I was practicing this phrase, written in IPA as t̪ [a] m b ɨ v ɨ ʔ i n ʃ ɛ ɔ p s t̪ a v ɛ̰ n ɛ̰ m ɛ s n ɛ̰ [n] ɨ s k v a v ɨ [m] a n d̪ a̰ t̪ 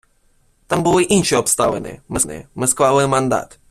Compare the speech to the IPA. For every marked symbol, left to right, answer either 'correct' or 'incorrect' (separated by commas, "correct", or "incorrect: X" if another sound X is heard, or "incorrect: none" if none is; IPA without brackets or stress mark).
correct, incorrect: m, correct